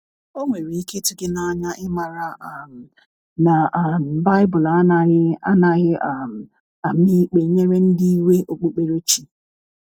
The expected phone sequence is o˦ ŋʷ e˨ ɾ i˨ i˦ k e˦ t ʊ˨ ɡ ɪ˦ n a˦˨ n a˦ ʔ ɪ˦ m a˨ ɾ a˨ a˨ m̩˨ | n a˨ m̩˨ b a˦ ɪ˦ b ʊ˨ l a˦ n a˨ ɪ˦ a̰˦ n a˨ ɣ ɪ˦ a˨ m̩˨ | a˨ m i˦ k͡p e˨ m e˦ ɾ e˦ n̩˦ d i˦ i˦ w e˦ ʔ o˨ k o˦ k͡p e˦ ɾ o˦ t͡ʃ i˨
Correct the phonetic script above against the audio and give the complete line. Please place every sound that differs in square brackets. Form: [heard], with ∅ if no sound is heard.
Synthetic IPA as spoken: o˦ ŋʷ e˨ ɾ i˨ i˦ k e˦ t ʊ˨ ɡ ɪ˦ n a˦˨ [ɲ] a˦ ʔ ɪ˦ m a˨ ɾ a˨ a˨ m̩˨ | n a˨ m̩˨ b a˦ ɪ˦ b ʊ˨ l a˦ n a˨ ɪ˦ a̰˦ n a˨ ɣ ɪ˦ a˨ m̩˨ | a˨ m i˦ k͡p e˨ [ɲ] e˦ ɾ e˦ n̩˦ d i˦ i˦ w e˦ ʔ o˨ [k͡p] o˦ k͡p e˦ ɾ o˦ t͡ʃ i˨